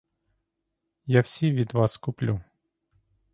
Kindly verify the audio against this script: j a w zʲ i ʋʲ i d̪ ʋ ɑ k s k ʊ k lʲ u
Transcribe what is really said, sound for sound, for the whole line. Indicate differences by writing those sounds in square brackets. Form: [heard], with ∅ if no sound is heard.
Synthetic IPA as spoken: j a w [sʲ] i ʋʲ i d̪ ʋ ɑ [∅] s k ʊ [p] lʲ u

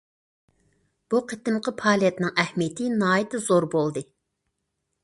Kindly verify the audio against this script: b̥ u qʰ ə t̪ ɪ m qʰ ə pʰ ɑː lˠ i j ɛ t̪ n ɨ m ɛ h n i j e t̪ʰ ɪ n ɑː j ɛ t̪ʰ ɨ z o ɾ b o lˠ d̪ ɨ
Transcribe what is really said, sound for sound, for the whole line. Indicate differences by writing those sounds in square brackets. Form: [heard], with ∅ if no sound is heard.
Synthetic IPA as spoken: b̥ u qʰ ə t̪ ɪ m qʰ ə pʰ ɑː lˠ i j ɛ t̪ n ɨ [ŋ] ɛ h [m] i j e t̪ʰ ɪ n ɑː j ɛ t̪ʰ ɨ z o ɾ b o lˠ d̪ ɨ

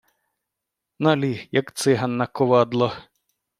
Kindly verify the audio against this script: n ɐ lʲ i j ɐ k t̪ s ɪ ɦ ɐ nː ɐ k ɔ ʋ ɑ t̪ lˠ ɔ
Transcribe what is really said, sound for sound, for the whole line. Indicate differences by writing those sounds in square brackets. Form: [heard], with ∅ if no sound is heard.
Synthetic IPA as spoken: n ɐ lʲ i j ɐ k t̪ s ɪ ɦ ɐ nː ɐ k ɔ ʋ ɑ [d̪] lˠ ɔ

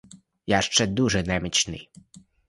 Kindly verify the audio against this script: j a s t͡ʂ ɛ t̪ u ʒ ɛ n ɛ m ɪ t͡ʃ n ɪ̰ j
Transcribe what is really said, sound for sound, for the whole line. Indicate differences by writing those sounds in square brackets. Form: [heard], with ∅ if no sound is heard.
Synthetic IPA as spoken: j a [ʃ] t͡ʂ ɛ [d̪] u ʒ ɛ n ɛ m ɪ t͡ʃ n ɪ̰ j

